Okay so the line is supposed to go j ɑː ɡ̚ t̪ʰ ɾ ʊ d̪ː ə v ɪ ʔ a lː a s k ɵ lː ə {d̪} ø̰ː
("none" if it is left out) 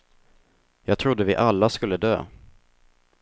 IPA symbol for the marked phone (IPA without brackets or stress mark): d̪